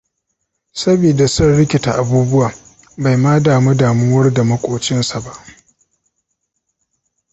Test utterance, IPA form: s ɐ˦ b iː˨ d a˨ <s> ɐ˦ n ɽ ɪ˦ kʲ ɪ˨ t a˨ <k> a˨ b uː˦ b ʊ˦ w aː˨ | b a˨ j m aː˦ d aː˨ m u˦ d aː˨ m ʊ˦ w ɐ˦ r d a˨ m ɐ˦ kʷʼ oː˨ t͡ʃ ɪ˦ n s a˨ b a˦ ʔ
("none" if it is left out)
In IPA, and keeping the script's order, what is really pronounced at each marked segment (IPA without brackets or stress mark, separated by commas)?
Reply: s, ʔ